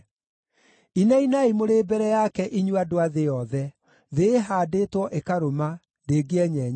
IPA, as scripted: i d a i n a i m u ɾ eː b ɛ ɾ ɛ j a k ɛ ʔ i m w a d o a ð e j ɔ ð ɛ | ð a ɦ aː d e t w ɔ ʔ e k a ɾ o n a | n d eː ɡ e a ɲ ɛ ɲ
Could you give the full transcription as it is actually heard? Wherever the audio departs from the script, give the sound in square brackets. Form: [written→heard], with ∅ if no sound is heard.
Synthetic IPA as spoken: i [d→n] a i n a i m [u→o] ɾ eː b ɛ ɾ ɛ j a k ɛ ʔ i [m→ɲ] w a d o a ð e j ɔ ð ɛ | ð [a→e] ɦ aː d e t w ɔ ʔ e k a ɾ o [n→m] a | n d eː ɡ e [a→ɛ] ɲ ɛ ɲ